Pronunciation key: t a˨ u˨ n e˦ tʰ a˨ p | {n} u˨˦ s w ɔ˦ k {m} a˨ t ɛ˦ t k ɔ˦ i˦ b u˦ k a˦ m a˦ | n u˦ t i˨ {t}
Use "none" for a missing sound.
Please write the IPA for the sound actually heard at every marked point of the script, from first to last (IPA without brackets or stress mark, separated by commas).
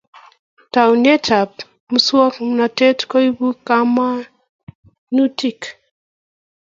m, n, k